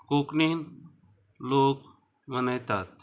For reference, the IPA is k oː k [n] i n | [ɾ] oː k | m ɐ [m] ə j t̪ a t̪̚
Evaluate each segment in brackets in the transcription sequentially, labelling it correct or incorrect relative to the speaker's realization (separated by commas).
correct, incorrect, incorrect